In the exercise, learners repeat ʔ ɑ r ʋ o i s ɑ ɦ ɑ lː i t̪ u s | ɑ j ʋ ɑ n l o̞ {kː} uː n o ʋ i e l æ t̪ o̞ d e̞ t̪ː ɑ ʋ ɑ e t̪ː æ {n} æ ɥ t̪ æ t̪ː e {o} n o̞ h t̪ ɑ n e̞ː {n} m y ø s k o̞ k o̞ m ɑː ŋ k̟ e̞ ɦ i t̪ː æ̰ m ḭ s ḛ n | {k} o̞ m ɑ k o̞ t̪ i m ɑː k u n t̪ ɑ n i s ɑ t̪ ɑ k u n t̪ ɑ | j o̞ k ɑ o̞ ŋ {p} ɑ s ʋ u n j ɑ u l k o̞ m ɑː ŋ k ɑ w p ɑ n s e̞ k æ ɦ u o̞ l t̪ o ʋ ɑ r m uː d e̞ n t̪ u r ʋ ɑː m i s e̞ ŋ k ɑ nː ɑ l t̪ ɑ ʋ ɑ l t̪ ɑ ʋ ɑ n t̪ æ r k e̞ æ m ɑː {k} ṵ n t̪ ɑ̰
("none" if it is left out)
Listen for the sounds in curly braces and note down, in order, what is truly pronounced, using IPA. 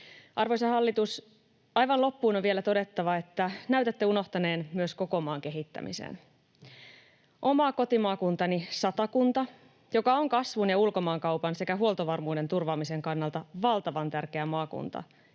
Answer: pː, n, u, n, ʔ, k, k

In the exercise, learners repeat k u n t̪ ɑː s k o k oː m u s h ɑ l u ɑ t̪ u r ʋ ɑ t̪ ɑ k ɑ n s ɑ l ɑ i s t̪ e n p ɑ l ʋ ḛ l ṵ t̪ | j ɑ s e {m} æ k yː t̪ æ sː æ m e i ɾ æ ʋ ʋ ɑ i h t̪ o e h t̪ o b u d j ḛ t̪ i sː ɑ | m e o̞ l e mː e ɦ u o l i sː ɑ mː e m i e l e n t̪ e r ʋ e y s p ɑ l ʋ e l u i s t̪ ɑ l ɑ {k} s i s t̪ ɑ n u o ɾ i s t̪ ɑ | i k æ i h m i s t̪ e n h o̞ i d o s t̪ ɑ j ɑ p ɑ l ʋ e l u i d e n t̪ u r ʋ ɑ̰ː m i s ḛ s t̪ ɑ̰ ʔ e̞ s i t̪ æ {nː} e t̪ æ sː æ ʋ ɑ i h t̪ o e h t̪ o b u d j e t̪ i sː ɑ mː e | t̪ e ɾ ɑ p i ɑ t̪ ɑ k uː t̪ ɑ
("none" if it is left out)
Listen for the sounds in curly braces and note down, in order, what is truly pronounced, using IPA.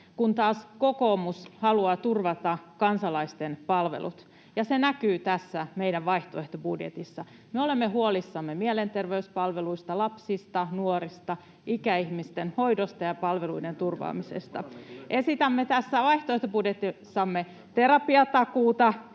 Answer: n, p, mː

